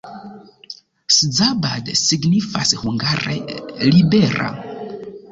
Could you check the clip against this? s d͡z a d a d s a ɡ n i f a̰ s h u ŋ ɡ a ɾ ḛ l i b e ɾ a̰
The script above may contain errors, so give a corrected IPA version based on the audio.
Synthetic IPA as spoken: s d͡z a b a d s i ɡ n i f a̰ s h u ŋ ɡ a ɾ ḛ l i b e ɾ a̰